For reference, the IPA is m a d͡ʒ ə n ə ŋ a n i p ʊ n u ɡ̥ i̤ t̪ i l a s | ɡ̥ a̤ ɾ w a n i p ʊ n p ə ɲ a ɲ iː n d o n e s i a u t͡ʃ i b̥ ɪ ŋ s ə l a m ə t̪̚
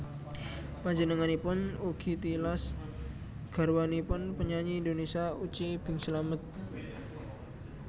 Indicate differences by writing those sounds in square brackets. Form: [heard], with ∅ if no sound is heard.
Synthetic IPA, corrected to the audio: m a d͡ʒ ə n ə ŋ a n i p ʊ n u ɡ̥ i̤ t̪ i l a s | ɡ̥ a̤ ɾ w a n i p ʊ n p ə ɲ a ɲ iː n d o n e s i a u t͡ʃ i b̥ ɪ ŋ s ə l a m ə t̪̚